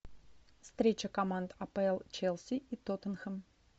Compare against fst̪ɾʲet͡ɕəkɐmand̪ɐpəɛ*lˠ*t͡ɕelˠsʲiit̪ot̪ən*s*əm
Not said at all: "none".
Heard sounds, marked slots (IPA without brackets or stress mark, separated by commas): lˠ, x